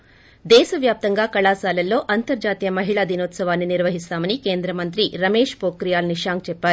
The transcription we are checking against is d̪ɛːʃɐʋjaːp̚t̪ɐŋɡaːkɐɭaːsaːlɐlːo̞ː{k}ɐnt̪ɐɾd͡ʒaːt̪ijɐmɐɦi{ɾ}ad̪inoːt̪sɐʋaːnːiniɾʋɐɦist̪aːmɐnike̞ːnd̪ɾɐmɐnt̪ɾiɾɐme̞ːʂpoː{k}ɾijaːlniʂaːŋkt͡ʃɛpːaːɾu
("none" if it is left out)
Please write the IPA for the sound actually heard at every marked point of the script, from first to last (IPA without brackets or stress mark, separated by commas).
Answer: ʔ, ɭ, k